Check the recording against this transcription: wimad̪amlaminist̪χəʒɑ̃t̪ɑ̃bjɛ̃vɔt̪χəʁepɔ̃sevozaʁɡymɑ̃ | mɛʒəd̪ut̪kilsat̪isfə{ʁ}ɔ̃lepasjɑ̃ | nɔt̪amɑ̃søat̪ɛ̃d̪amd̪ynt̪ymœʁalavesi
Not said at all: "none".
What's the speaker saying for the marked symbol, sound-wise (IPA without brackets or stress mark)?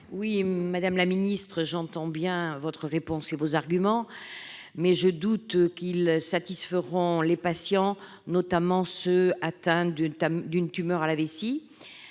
ʁ